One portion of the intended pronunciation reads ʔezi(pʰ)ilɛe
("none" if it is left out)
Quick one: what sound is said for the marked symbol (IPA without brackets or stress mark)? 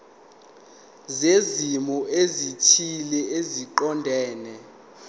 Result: tʰ